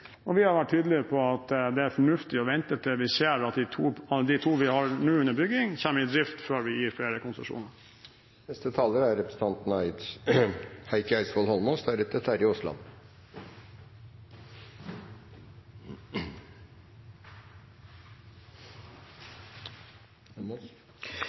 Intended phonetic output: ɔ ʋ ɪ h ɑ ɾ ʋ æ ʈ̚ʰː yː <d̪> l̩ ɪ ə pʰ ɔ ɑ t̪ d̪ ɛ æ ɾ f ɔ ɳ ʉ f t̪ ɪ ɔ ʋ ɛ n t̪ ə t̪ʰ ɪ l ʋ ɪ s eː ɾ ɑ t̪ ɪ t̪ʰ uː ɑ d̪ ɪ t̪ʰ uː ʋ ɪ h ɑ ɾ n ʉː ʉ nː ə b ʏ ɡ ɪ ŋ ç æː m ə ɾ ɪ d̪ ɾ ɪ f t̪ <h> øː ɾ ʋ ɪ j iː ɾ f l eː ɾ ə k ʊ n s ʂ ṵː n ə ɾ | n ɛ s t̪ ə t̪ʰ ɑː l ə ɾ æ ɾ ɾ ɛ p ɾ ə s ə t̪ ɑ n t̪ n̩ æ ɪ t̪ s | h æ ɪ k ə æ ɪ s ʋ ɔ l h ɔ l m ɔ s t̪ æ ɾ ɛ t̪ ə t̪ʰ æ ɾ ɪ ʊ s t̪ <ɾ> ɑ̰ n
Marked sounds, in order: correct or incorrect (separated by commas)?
correct, incorrect, incorrect